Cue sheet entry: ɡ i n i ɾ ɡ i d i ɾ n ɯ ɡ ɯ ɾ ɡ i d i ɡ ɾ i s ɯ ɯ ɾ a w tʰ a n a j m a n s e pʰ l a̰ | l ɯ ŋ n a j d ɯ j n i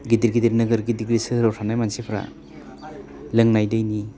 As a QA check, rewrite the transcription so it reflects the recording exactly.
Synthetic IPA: ɡ i d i ɾ ɡ i d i ɾ n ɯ ɡ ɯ ɾ ɡ i d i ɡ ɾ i s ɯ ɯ ɾ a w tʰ a n a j m a n s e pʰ ɾ a̰ | l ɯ ŋ n a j d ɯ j n i